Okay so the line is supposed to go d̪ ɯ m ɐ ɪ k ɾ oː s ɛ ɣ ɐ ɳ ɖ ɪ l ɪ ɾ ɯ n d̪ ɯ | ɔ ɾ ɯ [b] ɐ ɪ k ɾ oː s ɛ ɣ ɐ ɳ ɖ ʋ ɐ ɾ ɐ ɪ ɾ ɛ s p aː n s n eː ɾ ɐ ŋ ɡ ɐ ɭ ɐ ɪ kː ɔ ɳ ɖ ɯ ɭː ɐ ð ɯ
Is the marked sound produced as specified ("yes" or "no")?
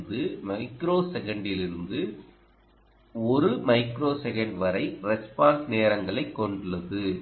no